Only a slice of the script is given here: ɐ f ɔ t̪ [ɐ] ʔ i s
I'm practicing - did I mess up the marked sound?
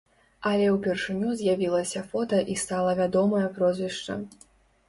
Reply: no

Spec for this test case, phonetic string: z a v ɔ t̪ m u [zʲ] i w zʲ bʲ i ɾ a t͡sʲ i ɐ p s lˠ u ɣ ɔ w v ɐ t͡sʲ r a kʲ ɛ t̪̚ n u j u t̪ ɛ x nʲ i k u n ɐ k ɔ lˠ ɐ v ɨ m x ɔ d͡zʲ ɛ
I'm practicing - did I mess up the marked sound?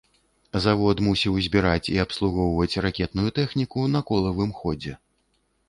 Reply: yes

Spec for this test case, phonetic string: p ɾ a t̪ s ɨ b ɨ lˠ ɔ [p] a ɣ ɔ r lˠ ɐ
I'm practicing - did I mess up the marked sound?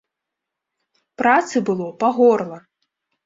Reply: no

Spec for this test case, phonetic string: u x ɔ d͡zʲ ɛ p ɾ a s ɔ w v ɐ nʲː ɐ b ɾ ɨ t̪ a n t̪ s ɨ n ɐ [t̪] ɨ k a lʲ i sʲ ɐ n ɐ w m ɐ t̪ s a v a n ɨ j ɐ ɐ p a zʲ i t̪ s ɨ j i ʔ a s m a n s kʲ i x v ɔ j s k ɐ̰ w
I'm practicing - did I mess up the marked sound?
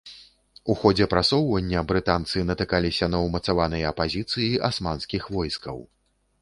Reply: no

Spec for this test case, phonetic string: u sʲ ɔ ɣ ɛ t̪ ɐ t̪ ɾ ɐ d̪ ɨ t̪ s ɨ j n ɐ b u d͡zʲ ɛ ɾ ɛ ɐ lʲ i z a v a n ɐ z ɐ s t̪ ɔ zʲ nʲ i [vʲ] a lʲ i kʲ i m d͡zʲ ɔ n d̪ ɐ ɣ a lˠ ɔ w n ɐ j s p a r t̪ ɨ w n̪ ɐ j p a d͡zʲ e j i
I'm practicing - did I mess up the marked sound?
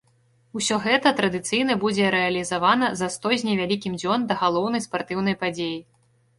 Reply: no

